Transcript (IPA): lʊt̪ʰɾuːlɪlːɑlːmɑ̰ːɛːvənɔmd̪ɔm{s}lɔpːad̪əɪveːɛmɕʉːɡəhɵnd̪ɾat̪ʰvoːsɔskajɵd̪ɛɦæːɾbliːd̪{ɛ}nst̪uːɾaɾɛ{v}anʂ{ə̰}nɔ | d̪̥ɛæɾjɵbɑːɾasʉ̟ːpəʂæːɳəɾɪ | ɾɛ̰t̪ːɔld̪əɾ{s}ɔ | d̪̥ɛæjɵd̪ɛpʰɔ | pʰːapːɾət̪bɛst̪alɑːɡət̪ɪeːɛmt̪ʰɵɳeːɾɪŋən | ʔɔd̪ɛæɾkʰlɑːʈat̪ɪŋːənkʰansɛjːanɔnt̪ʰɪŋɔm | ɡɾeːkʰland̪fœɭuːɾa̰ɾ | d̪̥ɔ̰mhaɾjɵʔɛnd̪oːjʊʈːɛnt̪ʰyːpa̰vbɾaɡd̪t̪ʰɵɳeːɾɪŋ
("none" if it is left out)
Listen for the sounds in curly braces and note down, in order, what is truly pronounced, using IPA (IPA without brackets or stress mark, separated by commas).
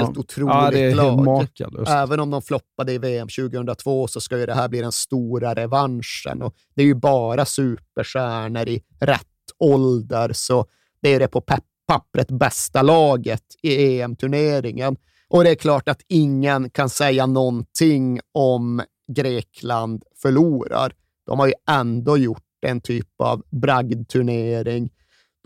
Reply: f, ɛ, v, ə̰, s